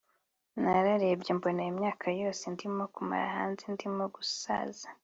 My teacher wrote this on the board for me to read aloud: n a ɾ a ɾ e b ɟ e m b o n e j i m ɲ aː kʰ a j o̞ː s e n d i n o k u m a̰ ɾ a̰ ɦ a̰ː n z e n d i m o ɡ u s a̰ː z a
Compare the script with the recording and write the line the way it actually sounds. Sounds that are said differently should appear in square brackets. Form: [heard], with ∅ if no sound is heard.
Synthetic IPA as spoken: n a ɾ a ɾ e b ɟ e m b o n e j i m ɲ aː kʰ a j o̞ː s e n d i [m] o k u m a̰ ɾ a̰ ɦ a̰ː n z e n d i m o ɡ u s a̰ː z a